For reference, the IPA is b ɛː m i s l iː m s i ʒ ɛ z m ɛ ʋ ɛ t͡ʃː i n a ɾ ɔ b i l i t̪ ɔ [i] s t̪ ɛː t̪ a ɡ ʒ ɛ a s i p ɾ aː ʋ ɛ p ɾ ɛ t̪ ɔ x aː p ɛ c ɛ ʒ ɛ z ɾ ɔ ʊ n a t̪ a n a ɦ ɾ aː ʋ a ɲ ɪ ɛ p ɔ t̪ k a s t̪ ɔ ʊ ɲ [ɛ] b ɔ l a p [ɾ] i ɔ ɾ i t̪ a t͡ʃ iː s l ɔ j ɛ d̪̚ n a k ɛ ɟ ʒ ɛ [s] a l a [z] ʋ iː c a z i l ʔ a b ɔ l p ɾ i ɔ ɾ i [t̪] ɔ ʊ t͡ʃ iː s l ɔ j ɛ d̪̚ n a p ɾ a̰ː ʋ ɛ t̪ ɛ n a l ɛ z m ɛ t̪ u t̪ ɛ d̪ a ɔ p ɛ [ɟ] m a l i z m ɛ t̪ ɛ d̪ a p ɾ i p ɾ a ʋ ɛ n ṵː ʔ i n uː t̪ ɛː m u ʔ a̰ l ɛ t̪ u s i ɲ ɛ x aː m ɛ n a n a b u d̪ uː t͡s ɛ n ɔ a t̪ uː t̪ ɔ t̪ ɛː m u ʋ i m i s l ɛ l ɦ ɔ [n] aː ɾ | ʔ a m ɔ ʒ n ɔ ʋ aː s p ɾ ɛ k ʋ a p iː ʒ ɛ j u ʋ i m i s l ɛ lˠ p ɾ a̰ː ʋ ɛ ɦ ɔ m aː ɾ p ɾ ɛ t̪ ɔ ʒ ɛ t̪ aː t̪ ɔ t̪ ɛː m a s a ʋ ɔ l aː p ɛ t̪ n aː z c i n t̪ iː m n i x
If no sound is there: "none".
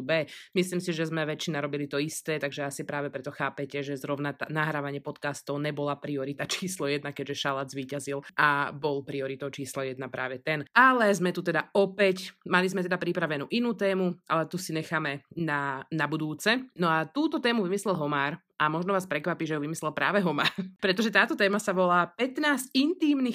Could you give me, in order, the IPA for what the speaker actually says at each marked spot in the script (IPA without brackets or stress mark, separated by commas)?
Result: i, ɛ, ɾ, ʃ, z, t̪, c, m